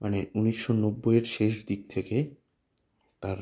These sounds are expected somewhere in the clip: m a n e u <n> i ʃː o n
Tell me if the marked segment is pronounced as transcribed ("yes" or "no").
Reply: yes